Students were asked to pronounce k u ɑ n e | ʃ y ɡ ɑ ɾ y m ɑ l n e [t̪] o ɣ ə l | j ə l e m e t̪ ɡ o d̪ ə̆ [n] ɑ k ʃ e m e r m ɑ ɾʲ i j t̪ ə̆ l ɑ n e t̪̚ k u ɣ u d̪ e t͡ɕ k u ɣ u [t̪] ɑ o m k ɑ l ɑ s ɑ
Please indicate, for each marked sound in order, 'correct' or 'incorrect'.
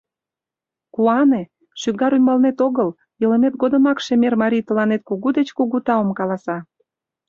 correct, incorrect: m, correct

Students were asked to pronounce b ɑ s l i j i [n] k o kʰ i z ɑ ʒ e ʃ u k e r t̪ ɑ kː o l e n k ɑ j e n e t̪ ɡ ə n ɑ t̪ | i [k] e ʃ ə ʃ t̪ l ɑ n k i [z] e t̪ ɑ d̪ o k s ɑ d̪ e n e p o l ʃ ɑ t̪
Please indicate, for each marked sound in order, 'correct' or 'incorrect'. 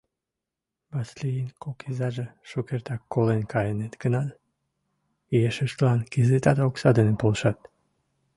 correct, incorrect: none, correct

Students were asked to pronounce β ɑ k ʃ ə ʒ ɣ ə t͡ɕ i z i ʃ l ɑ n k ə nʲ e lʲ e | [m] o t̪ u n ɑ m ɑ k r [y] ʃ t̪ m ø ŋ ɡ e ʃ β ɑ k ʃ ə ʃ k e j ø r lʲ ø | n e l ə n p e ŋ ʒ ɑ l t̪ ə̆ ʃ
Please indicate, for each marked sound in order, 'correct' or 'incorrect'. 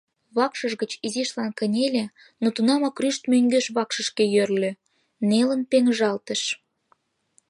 incorrect: n, correct

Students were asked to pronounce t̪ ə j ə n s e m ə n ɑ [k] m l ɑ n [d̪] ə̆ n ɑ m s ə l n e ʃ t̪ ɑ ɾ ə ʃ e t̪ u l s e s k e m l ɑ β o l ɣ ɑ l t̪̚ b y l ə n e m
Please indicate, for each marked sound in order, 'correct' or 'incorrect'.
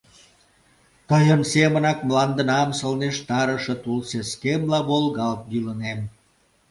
correct, correct

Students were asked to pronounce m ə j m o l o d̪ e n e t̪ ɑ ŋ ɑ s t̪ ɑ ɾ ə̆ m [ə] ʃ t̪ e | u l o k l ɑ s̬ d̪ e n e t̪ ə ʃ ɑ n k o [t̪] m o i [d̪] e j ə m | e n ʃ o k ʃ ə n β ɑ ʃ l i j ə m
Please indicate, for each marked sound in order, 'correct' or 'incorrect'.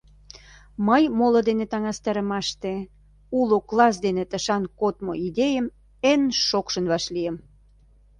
incorrect: ɑ, correct, correct

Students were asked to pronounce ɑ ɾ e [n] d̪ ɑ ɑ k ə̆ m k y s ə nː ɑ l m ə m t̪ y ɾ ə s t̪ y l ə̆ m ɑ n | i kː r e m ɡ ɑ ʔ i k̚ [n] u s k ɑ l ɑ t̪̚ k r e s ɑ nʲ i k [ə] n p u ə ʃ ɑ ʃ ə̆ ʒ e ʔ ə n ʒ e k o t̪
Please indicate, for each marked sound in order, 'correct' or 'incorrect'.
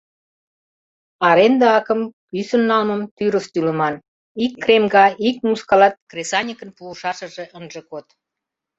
correct, incorrect: m, correct

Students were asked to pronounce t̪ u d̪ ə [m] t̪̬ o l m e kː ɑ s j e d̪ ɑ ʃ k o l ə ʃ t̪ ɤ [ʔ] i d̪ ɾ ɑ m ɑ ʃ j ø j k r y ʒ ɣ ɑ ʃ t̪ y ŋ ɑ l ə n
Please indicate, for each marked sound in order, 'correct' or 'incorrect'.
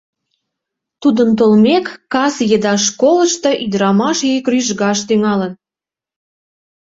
incorrect: n, correct

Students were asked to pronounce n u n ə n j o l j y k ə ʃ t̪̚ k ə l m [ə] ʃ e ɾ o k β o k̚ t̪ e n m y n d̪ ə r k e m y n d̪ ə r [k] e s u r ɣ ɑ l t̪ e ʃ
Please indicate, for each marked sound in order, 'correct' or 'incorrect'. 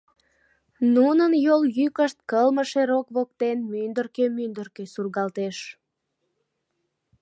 correct, correct

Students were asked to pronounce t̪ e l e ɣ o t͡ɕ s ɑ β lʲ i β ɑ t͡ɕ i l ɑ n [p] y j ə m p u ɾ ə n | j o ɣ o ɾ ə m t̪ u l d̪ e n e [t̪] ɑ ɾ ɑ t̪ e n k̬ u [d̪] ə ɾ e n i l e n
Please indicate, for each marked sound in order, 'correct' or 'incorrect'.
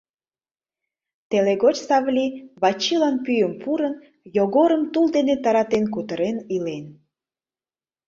correct, correct, incorrect: t̪

